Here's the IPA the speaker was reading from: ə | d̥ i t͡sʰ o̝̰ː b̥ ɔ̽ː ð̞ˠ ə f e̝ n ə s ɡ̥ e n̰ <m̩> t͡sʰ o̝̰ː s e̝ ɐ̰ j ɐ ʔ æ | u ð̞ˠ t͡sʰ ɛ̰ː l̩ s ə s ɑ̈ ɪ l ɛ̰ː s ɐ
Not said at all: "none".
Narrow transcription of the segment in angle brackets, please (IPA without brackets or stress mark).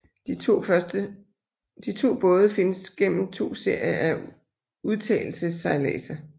m̩